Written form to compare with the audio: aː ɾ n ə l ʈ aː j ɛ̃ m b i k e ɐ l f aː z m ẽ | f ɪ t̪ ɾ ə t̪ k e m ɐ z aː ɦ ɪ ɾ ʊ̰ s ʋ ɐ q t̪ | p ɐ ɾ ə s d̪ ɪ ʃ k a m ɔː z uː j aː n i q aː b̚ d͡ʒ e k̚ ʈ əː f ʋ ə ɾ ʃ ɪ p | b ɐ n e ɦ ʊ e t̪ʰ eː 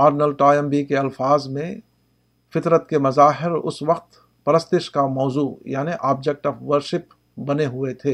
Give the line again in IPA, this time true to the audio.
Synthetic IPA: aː ɾ n ə l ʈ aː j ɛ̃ m b i k e ɐ l f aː z m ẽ | f ɪ t̪ ɾ ə t̪ k e m ɐ z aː ɦ ɪ ɾ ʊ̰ s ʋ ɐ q t̪ | p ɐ ɾ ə s t̪ ɪ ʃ k a m ɔː z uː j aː n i ʔ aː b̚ d͡ʒ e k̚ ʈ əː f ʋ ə ɾ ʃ ɪ p | b ɐ n e ɦ ʊ e t̪ʰ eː